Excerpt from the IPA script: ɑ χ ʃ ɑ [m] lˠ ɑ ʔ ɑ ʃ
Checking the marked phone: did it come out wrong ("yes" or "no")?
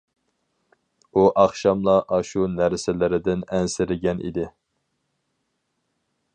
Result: no